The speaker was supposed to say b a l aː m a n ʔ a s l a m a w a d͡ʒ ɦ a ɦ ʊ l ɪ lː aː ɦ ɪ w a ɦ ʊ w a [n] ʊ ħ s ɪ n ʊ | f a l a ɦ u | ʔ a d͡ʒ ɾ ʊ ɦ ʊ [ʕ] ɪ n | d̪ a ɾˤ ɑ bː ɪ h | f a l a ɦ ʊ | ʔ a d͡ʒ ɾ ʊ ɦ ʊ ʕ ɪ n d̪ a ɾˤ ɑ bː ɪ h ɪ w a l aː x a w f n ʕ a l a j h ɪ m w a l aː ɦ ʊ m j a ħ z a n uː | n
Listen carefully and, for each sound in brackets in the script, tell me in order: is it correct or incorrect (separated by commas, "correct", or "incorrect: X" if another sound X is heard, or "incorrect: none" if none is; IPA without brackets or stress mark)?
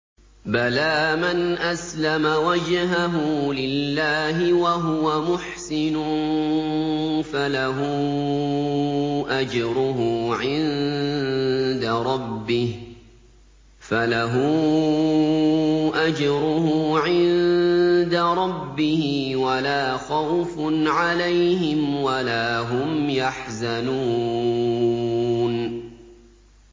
incorrect: m, correct